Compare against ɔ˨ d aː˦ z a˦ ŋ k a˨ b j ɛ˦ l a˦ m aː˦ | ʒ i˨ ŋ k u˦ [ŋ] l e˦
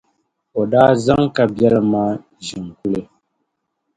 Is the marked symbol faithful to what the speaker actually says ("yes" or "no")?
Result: no